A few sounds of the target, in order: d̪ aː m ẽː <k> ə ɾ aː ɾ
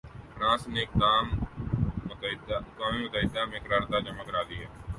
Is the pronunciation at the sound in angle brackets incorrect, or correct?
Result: correct